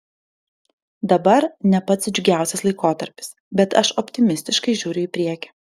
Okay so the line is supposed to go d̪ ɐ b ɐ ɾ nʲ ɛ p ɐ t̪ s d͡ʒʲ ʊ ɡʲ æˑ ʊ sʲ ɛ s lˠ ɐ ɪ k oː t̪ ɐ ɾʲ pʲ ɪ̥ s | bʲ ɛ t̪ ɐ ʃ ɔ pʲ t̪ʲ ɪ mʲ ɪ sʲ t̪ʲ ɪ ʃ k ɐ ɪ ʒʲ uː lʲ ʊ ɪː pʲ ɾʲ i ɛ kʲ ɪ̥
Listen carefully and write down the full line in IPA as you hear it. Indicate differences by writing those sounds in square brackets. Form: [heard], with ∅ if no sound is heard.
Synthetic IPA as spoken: d̪ ɐ b ɐ ɾ nʲ ɛ p ɐ t̪ s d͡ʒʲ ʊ ɡʲ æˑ ʊ sʲ ɛ s lˠ ɐ ɪ k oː t̪ ɐ ɾʲ pʲ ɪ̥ s | bʲ ɛ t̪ ɐ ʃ ɔ pʲ t̪ʲ ɪ mʲ ɪ sʲ t̪ʲ ɪ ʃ k ɐ ɪ ʒʲ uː [ɾʲ] ʊ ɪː pʲ ɾʲ i ɛ kʲ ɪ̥